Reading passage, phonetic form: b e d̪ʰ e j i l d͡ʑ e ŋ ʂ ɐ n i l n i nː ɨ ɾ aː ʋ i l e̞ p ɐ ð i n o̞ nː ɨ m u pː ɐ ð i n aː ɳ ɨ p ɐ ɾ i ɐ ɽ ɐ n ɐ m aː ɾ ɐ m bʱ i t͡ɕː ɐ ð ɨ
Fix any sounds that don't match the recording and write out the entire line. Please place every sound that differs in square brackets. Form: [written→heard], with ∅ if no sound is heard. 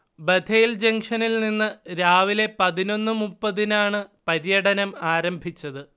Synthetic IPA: b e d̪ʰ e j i l d͡ʑ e ŋ ʂ ɐ n i l n i nː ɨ ɾ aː ʋ i l e̞ p ɐ ð i n o̞ nː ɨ m u pː ɐ ð i n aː ɳ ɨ p ɐ ɾ [i→j] ɐ ɽ ɐ n ɐ m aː ɾ ɐ m bʱ i t͡ɕː ɐ ð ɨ